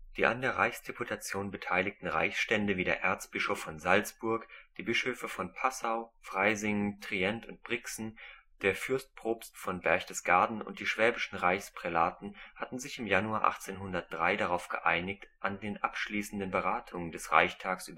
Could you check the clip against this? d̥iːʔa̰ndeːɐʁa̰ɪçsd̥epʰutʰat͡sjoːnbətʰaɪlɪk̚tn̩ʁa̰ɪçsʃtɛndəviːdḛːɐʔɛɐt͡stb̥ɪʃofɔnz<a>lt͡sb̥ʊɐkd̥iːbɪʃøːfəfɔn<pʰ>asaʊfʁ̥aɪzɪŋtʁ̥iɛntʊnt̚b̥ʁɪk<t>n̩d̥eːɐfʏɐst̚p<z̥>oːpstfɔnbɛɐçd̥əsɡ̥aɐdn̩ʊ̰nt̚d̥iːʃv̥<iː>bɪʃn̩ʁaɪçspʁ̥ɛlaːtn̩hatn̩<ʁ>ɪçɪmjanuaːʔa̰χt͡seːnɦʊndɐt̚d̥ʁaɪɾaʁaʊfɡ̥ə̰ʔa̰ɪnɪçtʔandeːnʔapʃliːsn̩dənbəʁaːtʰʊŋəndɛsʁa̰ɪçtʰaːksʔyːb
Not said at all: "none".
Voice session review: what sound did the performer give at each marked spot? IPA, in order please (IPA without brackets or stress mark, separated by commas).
a, pʰ, s, ʁ̥, ɛː, z